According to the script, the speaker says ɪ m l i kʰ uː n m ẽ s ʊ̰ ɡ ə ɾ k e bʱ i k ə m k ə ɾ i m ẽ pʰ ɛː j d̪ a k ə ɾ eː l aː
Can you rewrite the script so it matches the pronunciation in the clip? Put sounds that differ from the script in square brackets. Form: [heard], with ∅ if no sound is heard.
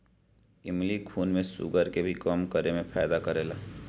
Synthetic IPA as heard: ɪ m l i kʰ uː n m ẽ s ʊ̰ ɡ ə ɾ k e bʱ i k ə m k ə ɾ [e] m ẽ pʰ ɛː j d̪ a k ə ɾ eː l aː